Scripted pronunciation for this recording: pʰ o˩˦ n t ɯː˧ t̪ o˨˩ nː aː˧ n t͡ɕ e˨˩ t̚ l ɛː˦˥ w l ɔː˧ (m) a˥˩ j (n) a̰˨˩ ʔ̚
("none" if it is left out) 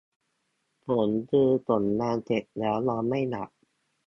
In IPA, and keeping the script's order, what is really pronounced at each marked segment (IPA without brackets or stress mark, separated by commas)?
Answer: m, n